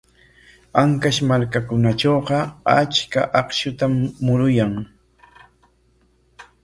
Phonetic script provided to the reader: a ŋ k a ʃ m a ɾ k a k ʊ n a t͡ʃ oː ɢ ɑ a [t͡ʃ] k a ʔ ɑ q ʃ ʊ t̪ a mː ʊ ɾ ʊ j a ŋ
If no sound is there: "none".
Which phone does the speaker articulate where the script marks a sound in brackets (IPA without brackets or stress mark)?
t͡ʃ